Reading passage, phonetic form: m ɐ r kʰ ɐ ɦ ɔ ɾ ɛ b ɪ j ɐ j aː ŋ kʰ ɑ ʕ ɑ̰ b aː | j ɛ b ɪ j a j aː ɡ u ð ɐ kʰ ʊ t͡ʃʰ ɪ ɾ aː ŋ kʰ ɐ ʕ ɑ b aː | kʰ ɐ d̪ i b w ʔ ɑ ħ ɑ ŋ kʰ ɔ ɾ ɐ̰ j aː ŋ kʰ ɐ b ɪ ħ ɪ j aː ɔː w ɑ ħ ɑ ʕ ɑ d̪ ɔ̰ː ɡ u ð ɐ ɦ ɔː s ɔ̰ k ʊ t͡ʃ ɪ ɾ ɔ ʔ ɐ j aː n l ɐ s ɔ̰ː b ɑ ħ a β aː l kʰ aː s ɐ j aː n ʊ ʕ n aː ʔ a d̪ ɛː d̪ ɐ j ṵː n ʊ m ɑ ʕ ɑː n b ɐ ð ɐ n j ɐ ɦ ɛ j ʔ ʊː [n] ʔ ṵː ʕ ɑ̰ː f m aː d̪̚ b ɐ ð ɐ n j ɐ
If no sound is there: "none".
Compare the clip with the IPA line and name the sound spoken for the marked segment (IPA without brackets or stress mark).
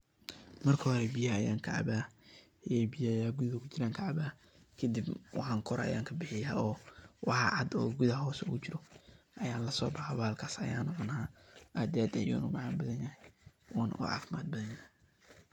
n